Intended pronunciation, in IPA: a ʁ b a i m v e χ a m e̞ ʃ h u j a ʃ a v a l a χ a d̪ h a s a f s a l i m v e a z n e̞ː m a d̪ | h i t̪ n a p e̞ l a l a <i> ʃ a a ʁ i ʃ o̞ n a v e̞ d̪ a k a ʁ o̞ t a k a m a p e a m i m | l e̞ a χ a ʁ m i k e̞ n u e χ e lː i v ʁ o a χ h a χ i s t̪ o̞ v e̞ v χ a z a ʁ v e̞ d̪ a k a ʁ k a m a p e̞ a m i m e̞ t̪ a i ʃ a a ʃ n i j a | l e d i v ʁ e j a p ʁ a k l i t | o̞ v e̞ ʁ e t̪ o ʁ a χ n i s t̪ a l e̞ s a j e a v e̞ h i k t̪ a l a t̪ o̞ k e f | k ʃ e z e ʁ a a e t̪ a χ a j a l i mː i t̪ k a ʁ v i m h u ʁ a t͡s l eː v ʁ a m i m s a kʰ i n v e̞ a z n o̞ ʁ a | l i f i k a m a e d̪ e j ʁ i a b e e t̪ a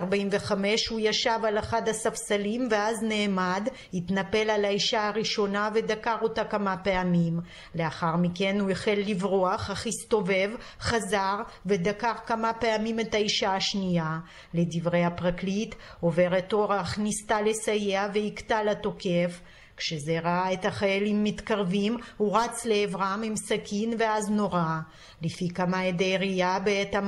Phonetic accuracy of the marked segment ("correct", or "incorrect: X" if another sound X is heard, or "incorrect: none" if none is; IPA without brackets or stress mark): correct